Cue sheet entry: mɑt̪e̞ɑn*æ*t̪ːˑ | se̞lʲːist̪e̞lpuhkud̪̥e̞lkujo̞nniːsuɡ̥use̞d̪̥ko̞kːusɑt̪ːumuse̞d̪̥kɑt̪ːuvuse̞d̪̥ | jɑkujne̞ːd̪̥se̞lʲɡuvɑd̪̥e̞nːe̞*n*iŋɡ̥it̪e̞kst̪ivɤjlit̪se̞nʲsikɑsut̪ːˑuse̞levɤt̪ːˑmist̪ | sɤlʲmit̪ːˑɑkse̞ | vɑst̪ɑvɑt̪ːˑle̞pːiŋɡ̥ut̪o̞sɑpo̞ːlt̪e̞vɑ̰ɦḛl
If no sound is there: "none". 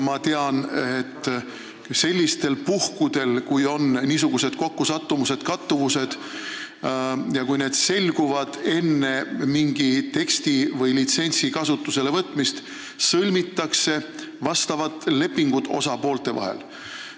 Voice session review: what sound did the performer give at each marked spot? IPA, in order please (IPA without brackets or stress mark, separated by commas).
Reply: e, m